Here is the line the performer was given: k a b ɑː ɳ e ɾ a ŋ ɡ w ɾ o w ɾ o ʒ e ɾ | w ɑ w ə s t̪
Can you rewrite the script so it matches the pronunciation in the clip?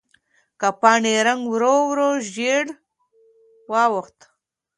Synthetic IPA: k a p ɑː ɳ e ɾ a ŋ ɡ w ɾ o w ɾ o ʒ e ɽ | w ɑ w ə x t̪